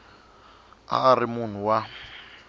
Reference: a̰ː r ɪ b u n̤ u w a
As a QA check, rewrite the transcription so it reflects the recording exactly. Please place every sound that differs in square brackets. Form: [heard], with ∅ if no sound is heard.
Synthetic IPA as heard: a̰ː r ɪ [m] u n̤ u w a